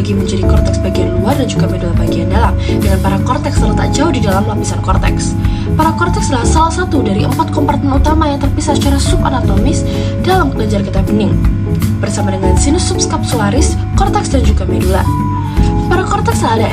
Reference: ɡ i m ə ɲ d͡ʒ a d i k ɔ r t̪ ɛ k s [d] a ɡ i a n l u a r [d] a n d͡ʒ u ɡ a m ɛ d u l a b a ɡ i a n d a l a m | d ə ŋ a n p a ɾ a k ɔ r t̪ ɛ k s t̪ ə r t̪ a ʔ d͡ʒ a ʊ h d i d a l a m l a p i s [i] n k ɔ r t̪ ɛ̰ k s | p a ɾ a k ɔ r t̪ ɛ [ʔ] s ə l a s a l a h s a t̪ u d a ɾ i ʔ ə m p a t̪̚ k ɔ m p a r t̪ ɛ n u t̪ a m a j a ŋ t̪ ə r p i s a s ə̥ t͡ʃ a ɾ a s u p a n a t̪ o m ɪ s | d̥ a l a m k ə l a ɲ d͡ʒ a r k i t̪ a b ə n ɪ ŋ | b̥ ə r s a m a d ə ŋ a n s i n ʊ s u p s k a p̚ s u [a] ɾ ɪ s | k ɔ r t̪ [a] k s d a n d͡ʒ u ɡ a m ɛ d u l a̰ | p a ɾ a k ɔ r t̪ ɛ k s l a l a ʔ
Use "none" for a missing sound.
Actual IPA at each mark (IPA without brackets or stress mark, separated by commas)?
b, d, a, k, a, ɛ